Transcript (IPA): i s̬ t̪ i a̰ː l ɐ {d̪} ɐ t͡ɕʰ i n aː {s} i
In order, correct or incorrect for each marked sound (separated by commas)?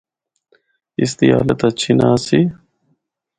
incorrect, correct